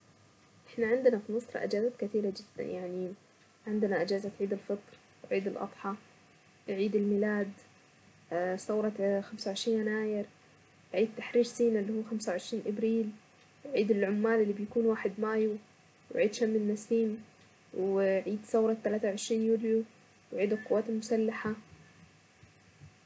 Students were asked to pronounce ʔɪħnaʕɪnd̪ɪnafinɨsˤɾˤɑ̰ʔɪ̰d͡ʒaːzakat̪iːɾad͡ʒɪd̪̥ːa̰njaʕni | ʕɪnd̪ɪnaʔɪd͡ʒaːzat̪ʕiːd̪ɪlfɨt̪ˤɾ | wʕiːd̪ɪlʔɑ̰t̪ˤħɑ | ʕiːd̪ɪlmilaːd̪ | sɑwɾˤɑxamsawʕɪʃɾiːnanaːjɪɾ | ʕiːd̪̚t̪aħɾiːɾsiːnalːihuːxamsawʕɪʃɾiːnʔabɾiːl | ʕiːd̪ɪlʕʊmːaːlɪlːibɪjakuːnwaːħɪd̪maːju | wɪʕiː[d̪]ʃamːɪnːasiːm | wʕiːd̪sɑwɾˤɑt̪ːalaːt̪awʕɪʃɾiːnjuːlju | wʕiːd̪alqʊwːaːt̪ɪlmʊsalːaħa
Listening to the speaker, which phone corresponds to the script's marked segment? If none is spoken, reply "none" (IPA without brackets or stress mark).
d̪